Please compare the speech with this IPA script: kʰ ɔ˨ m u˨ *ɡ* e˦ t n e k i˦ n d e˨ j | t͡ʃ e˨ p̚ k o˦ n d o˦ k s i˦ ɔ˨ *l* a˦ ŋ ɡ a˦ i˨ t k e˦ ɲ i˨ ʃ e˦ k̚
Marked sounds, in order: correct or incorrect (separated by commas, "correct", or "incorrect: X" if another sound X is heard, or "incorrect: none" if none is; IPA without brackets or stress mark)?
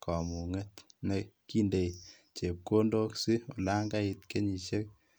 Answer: incorrect: ŋ, correct